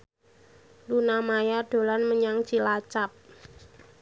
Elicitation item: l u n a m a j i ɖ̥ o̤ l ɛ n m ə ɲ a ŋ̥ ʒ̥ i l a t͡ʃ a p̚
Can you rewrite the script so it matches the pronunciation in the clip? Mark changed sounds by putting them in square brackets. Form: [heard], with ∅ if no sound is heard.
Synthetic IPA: l u n a m a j [a] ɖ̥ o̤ l [a] n m ə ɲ a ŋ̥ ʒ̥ i l a t͡ʃ a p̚

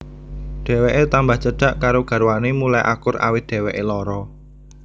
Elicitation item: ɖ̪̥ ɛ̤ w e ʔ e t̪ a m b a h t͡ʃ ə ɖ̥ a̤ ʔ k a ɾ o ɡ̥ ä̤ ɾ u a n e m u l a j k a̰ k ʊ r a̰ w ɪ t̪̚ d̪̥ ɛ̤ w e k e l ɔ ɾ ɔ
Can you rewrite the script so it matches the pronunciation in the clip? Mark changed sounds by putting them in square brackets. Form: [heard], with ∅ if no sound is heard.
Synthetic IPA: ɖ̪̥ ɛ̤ w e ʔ e t̪ a m b a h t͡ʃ ə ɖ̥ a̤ ʔ k a ɾ o ɡ̥ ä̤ ɾ [w] a n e m u l a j [ʔ] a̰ k ʊ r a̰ w ɪ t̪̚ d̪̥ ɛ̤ w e [ʔ] e l ɔ ɾ ɔ

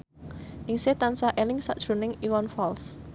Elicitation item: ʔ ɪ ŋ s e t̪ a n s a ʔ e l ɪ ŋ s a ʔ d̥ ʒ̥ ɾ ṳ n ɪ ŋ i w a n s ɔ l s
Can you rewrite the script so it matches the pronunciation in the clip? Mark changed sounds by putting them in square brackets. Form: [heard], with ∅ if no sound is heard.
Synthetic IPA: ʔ ɪ ŋ s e t̪ a n s a ʔ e l ɪ ŋ s a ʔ d̥ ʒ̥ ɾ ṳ n ɪ ŋ i w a n [f] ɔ l s

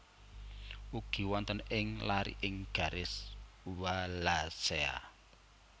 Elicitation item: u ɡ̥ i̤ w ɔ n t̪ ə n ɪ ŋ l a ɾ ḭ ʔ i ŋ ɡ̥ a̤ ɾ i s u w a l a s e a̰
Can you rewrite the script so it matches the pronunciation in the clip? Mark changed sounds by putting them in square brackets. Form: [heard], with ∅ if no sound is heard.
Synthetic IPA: u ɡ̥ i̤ w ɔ n t̪ ə n ɪ ŋ l a ɾ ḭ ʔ [ɪ] ŋ ɡ̥ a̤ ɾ [ɪ] s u w a l a s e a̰

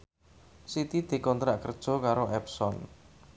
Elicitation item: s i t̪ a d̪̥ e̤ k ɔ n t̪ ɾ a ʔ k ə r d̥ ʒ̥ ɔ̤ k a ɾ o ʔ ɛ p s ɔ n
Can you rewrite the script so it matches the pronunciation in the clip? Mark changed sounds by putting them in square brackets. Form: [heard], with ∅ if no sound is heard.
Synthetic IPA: s i t̪ [i] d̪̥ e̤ k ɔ n t̪ ɾ a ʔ k ə r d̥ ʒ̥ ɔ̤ k a ɾ o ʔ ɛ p s ɔ n

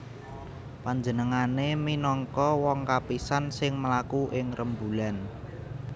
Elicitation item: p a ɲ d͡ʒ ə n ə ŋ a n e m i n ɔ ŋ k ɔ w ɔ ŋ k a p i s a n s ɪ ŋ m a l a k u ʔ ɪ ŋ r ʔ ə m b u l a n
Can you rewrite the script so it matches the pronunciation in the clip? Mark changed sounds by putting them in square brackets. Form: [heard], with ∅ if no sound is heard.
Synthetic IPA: p a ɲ d͡ʒ ə n ə ŋ a n e m i n ɔ ŋ k ɔ w ɔ ŋ k a p i s a n s ɪ ŋ m [ə] l a k u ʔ ɪ ŋ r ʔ ə m b u l a n

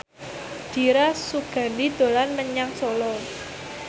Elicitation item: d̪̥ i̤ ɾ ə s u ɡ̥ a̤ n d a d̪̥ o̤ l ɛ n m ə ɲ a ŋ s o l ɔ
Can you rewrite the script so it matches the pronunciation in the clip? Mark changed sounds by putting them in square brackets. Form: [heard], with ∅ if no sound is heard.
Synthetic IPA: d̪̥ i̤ ɾ [a] s u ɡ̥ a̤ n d [i] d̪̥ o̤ l [a] n m ə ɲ a ŋ s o l ɔ

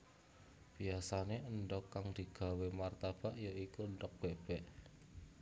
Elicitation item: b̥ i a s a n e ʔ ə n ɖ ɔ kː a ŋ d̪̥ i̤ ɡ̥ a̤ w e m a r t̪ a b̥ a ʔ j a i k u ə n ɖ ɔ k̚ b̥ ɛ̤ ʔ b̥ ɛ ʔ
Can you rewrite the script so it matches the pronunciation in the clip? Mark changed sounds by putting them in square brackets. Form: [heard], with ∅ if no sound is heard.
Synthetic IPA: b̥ i a s a n e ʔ ə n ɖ ɔ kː a ŋ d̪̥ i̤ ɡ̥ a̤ w e m a r t̪ a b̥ a ʔ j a i k u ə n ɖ ɔ k̚ b̥ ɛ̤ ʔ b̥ ɛ ʔ

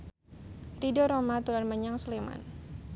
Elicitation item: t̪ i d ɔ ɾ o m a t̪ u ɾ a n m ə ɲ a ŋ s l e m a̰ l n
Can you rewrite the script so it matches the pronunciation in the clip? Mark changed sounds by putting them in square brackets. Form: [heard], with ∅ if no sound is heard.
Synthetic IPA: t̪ i d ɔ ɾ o m a t̪ u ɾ a n m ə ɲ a ŋ s l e m a̰ [∅] n

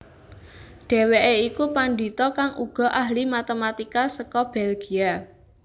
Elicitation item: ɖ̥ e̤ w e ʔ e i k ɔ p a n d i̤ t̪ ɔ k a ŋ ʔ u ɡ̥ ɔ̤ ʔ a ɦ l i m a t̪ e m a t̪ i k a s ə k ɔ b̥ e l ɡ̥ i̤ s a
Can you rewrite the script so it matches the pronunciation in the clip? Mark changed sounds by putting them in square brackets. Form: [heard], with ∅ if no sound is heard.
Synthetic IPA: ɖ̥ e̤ w e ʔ e i k [u] p a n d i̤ t̪ ɔ k a ŋ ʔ u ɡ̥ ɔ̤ ʔ a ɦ l i m a t̪ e m a t̪ i k a s ə k ɔ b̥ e l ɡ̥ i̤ [∅] a

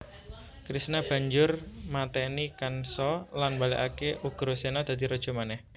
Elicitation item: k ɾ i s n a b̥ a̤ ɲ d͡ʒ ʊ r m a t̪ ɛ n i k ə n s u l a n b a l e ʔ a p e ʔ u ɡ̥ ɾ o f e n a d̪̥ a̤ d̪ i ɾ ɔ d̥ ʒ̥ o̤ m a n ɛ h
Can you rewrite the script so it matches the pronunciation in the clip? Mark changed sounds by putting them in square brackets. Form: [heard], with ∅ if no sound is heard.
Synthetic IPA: k ɾ i s n a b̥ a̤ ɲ d͡ʒ ʊ r m a t̪ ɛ n i k [a] n s [ɔ] l a n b a l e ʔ a [k] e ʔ u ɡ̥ ɾ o [s] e n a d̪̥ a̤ d̪ i ɾ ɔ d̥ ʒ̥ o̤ m a n ɛ h

